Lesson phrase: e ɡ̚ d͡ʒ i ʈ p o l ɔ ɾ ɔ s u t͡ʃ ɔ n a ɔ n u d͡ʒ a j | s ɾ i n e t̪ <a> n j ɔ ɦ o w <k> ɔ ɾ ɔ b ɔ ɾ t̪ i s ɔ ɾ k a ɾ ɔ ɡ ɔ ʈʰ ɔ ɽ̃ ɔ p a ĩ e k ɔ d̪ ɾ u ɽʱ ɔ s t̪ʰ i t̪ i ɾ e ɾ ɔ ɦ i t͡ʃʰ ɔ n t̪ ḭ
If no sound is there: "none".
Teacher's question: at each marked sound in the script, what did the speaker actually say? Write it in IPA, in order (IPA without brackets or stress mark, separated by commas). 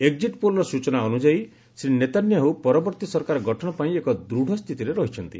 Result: a, p